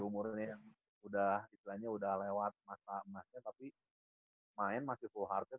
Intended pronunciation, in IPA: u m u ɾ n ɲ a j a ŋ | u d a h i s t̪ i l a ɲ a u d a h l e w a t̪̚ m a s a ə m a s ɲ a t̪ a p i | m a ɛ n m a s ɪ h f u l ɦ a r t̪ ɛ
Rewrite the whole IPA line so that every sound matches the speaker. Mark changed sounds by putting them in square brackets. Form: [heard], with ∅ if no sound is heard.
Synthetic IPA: u m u ɾ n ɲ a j a ŋ | u d a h i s t̪ i l a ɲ a u d a h l e w a t̪̚ m a s a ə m a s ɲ a t̪ a p i | m a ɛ n m a s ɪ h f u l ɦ a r t̪ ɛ